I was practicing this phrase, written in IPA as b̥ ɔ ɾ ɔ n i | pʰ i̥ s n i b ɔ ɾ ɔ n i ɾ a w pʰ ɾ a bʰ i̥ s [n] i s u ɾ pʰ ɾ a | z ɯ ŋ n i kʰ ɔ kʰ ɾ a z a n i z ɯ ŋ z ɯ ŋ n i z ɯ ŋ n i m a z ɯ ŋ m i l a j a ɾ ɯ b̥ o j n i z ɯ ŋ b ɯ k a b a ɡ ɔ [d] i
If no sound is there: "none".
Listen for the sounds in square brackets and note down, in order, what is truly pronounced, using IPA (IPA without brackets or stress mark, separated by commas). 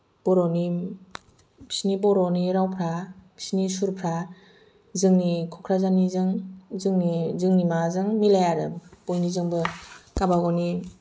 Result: n, n